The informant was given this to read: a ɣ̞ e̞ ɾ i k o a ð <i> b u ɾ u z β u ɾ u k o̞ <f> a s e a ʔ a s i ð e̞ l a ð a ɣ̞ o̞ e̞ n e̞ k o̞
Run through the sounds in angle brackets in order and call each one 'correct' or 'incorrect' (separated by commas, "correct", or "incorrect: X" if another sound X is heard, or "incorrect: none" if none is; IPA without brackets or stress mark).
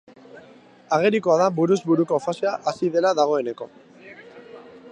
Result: incorrect: a, correct